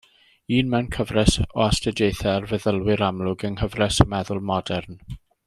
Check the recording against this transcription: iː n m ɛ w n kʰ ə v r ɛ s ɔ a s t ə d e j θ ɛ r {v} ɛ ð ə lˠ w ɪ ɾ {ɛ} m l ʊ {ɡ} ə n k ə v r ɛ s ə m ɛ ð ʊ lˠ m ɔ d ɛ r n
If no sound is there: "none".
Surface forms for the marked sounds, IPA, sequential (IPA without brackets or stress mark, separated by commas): v, a, ɡ